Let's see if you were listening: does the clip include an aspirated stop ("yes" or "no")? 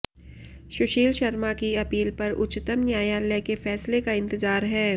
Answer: no